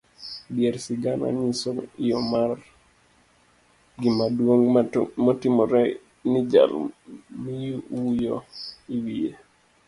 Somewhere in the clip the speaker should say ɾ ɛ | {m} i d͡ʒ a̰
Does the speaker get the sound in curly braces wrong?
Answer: yes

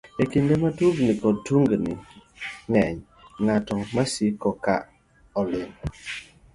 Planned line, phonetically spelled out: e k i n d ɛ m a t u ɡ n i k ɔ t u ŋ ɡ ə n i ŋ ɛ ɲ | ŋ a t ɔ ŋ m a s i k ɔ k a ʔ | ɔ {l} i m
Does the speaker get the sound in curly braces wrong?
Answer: no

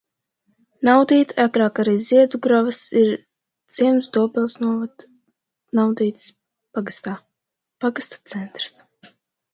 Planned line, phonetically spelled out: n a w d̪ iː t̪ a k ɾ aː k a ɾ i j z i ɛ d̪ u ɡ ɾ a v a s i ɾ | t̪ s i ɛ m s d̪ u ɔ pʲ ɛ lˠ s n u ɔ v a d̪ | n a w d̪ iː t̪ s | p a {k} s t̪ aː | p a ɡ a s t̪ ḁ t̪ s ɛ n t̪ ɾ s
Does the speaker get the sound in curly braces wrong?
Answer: yes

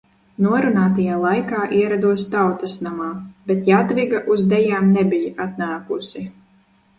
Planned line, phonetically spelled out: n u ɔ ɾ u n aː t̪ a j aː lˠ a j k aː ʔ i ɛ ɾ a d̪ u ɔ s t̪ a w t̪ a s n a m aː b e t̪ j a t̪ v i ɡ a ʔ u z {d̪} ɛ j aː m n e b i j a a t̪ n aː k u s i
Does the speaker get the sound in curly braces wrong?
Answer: no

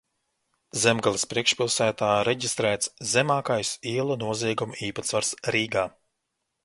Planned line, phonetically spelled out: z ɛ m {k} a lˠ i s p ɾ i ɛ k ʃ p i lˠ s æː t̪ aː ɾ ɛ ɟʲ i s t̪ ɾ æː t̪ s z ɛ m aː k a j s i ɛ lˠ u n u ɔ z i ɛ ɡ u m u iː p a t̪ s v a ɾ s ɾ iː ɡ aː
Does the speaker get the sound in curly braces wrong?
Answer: yes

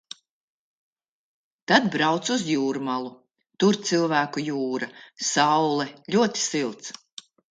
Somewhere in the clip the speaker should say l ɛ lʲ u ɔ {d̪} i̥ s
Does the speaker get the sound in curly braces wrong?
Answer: yes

